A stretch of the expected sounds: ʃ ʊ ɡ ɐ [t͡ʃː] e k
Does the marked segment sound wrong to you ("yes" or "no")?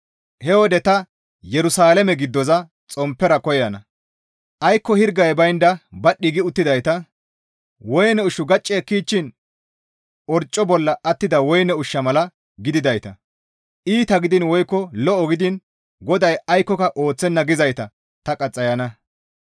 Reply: yes